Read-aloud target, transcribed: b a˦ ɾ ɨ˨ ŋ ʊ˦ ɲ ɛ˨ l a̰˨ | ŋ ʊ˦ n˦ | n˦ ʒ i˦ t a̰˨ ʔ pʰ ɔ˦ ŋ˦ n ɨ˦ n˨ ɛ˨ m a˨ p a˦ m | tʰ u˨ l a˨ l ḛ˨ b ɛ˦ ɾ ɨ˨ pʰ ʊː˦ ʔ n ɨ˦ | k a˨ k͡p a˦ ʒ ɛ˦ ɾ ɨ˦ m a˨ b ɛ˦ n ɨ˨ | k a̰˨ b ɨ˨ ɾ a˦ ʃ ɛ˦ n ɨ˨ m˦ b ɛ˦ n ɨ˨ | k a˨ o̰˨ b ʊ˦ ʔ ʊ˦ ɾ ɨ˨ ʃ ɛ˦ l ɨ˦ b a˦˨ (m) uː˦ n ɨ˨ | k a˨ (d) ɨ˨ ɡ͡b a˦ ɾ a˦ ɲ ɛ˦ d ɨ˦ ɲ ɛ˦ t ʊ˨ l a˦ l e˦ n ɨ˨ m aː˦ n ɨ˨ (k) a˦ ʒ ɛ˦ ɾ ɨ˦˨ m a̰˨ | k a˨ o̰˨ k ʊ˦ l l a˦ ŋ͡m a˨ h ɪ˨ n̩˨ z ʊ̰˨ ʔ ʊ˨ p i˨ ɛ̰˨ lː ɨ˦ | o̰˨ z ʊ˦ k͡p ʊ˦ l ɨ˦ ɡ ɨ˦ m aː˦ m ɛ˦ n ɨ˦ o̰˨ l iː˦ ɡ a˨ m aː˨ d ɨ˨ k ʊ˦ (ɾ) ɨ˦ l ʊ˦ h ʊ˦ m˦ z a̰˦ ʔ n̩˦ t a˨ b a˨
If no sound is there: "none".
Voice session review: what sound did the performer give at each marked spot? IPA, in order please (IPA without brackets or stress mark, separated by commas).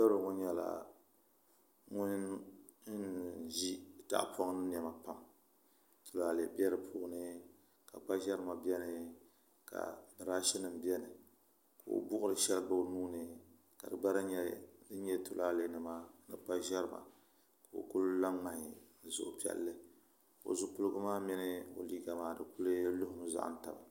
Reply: n, d, k͡p, l